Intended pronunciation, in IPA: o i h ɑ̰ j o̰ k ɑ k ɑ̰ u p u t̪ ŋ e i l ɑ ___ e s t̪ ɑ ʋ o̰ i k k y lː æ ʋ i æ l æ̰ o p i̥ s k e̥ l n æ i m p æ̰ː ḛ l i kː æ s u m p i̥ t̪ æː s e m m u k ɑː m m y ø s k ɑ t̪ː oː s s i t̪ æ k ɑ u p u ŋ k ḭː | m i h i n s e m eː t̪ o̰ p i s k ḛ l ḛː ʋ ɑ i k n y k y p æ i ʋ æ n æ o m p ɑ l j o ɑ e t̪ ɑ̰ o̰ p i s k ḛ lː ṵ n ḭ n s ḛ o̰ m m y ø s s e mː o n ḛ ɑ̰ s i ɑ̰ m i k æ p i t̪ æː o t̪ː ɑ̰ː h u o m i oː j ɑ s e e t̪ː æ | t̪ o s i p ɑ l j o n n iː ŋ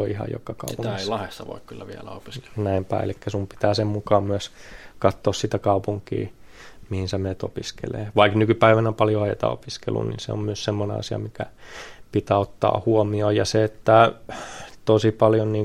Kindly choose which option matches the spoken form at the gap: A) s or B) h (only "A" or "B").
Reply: B